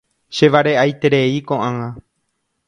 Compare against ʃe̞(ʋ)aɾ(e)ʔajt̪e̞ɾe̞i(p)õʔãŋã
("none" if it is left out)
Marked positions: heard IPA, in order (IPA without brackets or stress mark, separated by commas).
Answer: ʋ, e, k